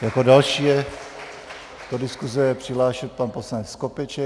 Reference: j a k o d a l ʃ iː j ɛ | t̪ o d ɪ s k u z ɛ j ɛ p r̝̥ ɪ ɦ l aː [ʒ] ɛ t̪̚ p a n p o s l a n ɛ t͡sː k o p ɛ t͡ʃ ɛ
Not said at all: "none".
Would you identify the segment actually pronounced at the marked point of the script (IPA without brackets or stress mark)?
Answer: ʃ